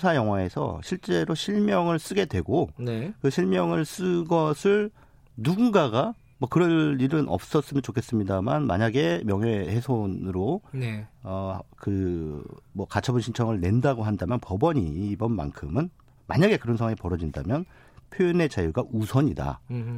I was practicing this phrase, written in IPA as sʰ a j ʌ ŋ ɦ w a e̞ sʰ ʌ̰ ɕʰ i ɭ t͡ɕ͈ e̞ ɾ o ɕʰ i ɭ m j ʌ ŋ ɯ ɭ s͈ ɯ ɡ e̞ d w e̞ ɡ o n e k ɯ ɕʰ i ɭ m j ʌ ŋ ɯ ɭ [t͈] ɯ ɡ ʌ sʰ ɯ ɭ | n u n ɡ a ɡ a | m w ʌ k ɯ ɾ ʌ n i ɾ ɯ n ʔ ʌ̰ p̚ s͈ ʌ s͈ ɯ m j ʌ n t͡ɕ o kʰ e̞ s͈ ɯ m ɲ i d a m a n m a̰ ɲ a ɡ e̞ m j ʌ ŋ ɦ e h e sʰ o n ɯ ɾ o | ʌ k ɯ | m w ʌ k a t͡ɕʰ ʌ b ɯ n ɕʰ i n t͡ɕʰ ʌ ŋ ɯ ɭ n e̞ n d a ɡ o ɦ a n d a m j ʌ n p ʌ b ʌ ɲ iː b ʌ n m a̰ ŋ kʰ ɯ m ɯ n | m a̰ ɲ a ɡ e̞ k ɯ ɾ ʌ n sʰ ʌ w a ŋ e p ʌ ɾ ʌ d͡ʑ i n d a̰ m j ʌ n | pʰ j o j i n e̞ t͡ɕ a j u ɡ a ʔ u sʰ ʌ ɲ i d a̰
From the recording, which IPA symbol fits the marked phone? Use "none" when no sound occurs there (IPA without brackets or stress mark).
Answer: s͈